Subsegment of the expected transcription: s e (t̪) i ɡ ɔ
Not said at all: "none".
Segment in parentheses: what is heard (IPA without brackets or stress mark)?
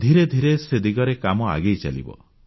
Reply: d̪